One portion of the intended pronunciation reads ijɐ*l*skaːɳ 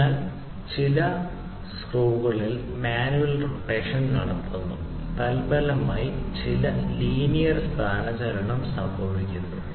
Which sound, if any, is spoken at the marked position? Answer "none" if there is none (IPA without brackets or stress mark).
r